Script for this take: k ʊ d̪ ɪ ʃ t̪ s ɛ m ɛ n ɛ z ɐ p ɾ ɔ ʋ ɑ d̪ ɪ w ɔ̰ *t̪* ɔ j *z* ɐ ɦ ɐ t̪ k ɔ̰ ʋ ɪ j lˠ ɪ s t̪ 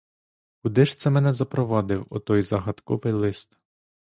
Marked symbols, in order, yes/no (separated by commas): yes, yes